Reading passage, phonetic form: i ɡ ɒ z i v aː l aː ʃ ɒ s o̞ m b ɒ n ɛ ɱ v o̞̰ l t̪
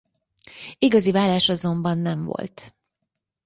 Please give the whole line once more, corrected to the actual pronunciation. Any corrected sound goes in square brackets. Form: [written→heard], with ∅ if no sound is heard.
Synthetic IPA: i ɡ ɒ z i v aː l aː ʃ ɒ [s→z] o̞ m b ɒ [n→nː] ɛ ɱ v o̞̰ l t̪

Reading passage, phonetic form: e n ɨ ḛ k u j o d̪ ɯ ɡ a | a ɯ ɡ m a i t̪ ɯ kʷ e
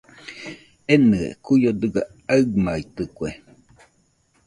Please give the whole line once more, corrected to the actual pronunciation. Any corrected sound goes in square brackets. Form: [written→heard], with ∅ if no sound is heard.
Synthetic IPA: e n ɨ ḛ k u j o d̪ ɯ ɡ a | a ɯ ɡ m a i t̪ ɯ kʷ e

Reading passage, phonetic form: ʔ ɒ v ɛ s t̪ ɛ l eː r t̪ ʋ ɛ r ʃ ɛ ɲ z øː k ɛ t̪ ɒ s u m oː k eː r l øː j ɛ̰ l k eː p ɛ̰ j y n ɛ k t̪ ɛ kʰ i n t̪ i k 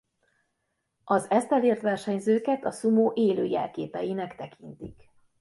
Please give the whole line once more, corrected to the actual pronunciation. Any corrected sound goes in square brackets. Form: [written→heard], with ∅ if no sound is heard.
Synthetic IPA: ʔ ɒ [v→z] ɛ s t̪ ɛ l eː r t̪ ʋ ɛ r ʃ ɛ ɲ z øː k ɛ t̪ ɒ s u m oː [k→ʔ] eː [r→∅] l øː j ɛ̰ l k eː p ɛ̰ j [y→i] n ɛ k t̪ ɛ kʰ i n t̪ i k

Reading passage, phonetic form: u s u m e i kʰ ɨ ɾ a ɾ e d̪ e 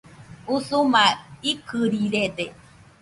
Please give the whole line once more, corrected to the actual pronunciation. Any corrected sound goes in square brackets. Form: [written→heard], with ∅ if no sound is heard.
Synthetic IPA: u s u m [e→a] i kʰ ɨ ɾ [a→i] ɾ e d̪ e

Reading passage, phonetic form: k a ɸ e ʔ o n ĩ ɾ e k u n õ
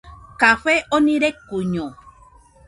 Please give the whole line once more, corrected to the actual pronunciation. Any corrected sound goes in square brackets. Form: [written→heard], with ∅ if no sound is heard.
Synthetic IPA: k a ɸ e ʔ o n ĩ ɾ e k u [n→ɲ] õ

